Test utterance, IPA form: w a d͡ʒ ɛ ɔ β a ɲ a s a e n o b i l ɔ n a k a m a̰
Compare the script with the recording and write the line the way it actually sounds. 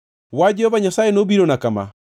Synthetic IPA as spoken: w a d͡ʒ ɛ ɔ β a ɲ a s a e n o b i ɾ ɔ n a k a m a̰